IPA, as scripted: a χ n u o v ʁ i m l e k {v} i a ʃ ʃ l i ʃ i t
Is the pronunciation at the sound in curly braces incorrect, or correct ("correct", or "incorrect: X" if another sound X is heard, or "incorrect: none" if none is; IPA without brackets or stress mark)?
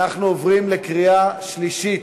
incorrect: ʁ